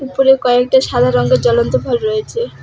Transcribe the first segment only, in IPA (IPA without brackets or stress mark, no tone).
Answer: u